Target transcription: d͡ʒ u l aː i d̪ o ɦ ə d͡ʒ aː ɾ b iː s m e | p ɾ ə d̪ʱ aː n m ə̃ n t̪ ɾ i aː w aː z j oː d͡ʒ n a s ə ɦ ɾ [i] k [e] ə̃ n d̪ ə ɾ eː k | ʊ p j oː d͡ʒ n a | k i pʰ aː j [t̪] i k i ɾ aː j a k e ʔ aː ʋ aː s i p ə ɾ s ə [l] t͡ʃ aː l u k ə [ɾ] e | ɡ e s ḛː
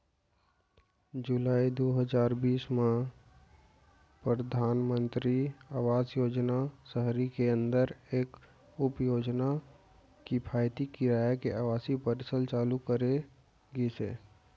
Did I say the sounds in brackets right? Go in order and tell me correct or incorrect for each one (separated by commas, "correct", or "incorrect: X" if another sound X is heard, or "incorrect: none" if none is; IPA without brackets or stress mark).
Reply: correct, correct, correct, correct, correct